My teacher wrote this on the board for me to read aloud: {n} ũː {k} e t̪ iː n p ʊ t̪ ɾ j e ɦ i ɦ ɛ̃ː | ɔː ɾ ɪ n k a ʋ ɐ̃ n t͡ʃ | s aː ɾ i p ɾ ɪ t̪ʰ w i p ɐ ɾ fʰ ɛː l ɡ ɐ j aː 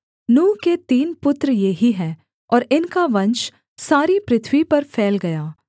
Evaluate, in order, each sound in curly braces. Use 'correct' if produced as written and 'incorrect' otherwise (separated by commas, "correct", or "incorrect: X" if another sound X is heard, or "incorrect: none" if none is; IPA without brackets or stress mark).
correct, correct